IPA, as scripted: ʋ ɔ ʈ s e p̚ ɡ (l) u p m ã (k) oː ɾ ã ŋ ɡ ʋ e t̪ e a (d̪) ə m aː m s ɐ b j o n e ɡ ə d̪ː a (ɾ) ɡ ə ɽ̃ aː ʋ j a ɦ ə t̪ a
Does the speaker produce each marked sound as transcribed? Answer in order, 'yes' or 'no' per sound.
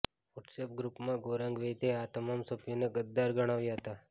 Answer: no, no, no, yes

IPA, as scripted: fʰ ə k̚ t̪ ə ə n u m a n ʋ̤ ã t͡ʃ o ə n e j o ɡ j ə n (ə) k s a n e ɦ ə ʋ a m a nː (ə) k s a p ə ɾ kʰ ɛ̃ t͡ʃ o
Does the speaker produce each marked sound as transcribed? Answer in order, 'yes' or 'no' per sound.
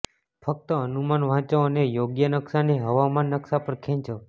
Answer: yes, yes

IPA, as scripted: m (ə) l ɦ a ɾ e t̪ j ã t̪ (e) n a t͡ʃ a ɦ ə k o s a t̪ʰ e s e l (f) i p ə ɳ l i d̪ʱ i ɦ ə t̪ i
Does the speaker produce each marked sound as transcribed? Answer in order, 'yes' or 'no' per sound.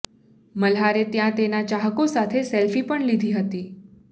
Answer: yes, yes, yes

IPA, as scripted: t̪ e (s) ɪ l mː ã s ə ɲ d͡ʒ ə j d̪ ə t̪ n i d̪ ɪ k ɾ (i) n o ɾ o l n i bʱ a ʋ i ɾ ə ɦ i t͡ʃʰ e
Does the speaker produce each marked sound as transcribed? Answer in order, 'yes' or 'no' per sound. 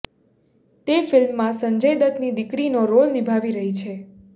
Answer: no, yes

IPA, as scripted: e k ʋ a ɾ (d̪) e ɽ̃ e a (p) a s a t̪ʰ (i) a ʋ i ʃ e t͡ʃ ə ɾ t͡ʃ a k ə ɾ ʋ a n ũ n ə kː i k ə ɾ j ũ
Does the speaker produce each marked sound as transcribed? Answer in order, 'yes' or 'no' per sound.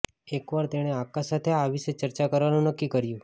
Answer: no, no, no

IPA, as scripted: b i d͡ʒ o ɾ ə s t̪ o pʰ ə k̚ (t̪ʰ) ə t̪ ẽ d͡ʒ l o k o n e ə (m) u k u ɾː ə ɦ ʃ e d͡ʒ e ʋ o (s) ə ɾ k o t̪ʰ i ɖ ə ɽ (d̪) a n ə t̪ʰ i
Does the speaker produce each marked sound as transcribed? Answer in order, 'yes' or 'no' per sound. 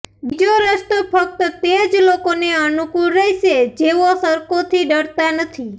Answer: no, no, yes, no

